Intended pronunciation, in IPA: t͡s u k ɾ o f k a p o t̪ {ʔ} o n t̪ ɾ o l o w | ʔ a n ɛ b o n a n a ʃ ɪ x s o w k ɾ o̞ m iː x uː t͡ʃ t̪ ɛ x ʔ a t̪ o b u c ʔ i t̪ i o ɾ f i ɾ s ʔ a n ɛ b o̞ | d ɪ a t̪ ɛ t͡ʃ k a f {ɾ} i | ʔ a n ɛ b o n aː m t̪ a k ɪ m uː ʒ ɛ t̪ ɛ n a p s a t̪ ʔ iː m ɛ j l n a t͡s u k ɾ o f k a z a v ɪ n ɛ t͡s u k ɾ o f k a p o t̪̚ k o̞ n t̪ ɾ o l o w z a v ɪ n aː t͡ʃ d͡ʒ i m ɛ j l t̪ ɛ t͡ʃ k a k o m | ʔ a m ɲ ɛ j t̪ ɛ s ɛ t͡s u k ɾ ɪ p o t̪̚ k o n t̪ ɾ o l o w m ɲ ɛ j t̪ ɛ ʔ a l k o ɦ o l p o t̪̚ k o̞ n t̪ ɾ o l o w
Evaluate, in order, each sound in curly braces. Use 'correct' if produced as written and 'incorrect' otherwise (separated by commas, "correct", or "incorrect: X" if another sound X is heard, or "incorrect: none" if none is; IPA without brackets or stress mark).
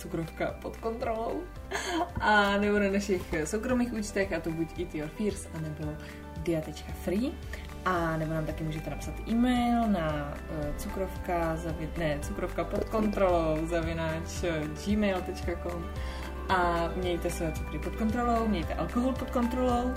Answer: incorrect: k, correct